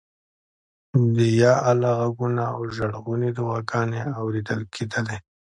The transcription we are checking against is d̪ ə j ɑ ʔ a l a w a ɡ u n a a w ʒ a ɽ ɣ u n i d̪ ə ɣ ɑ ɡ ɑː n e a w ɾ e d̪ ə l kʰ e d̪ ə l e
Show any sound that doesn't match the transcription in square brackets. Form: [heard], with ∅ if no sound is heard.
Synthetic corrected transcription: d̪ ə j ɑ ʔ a l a [ɣ] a ɡ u n a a w ʒ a ɽ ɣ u n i d̪ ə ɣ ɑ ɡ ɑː n e a w ɾ e d̪ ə l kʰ e d̪ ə l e